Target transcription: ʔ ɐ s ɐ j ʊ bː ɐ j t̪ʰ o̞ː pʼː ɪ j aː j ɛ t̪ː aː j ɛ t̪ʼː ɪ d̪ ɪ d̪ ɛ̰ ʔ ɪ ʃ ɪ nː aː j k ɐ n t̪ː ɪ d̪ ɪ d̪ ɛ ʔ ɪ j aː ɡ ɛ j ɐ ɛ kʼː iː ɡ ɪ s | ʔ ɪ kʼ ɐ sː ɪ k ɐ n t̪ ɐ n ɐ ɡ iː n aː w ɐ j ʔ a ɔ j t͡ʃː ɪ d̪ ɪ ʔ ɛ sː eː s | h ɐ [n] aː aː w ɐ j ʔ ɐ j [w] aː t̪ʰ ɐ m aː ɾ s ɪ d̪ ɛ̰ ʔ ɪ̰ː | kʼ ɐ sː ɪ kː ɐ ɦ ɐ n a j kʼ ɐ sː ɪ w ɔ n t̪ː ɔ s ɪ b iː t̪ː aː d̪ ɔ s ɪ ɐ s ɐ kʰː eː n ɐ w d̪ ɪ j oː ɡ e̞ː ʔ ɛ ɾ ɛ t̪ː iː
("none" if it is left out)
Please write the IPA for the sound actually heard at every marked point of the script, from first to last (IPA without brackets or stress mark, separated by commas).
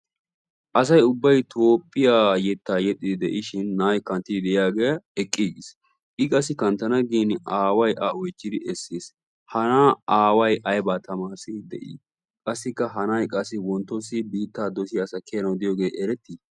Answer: n, b